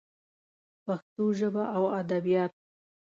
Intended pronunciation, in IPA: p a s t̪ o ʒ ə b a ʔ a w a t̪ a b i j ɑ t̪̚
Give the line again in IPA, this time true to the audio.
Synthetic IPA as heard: p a x t̪ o ʒ ə b a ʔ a w a d̪ a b i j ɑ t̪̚